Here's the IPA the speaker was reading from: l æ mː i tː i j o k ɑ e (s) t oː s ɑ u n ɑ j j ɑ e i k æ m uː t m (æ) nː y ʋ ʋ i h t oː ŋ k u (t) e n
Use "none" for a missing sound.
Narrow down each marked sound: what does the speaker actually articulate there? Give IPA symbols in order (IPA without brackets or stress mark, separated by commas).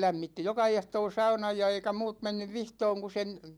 h, e, s